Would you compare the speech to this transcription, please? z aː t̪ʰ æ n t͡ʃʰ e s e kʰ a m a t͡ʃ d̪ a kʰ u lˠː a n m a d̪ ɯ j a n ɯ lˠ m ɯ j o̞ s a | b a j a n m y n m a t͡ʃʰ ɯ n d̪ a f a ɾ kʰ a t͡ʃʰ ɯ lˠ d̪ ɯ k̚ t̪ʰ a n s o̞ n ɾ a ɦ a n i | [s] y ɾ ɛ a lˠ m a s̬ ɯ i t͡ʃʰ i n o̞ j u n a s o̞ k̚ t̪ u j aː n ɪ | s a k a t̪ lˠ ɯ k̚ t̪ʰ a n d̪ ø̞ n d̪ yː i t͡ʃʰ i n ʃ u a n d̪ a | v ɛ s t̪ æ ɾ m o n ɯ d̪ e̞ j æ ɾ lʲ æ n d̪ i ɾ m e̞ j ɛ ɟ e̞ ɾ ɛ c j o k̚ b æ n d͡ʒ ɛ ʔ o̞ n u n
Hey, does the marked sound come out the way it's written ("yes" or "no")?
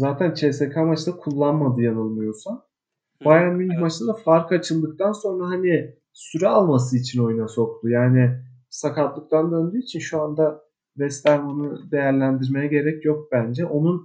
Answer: yes